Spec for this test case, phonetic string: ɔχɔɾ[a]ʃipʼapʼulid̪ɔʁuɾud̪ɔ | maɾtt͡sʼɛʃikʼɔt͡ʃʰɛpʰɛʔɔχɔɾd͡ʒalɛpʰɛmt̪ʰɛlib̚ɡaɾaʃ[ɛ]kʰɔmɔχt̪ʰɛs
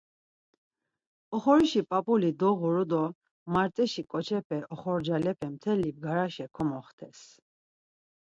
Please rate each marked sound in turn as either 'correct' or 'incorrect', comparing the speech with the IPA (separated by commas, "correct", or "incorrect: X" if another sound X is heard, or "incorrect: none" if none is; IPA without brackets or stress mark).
incorrect: i, correct